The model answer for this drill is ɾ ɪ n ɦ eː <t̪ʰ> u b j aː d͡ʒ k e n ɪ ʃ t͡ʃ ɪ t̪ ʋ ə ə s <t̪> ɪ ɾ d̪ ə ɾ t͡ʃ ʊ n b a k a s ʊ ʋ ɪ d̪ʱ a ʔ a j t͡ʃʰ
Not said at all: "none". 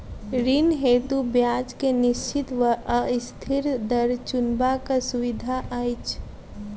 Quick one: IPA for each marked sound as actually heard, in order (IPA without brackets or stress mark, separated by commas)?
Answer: t̪, t̪ʰ